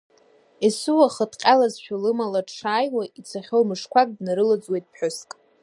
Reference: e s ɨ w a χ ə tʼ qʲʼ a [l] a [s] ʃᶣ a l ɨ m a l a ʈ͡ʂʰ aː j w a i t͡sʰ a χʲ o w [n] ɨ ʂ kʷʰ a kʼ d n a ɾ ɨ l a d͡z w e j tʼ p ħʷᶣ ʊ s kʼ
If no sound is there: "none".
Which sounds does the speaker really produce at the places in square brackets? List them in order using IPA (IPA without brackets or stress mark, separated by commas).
l, z, m